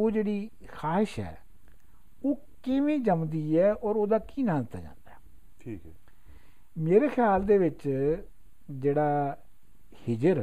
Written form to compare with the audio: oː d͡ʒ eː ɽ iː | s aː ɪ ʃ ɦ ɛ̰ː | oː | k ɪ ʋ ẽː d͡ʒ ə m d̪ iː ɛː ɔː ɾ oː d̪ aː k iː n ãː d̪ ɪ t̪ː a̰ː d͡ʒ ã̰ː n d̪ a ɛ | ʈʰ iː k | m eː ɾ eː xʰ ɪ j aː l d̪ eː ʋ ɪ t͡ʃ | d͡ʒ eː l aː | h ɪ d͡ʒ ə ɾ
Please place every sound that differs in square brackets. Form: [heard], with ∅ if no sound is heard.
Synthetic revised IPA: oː d͡ʒ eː ɽ iː | [x] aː ɪ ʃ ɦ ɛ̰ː | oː | k ɪ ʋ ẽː d͡ʒ ə m d̪ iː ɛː ɔː ɾ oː d̪ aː k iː n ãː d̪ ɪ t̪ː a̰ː d͡ʒ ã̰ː n d̪ a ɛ | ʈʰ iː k | m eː ɾ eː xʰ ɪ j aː l d̪ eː ʋ ɪ t͡ʃ | d͡ʒ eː [ɽ] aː | h ɪ d͡ʒ ə ɾ